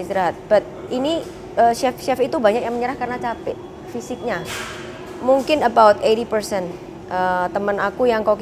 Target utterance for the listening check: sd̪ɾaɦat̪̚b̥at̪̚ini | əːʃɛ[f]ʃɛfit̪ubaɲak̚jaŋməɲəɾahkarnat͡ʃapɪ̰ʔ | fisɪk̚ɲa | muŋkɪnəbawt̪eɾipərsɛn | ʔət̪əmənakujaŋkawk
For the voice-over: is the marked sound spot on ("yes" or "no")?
yes